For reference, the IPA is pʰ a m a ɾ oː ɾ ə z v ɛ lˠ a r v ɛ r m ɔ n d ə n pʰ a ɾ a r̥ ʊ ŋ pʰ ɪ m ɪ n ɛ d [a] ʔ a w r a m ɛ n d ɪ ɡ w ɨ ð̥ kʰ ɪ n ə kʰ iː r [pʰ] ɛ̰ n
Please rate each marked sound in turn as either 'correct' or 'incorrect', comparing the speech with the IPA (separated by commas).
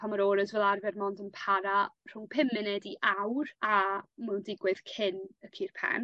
incorrect, correct